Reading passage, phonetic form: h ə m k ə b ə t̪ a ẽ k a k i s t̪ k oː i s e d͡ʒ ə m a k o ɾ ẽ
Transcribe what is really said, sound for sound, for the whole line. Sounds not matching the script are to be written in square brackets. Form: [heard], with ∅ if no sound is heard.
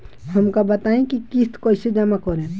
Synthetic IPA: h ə m k [a] b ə t̪ a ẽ k [i] k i s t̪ k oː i s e d͡ʒ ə m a k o ɾ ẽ